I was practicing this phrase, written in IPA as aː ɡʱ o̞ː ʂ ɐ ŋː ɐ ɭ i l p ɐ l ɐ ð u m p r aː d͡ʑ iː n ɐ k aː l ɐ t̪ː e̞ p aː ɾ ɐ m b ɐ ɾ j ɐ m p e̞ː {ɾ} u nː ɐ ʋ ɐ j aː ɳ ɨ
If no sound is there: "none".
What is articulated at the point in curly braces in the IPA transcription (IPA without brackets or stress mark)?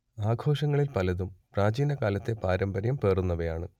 r